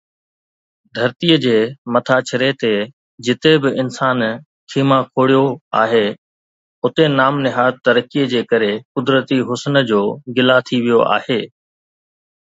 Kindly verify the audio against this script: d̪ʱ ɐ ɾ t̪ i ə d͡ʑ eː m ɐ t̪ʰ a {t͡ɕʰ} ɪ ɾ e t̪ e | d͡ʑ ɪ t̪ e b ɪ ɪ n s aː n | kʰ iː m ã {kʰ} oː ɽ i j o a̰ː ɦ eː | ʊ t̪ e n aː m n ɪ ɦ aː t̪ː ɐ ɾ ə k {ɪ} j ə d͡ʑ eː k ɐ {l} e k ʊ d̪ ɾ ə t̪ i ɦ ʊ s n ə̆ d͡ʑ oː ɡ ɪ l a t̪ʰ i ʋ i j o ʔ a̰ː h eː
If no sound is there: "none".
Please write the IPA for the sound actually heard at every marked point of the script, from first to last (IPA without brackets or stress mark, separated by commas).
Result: t͡ɕʰ, kʰ, i, ɾ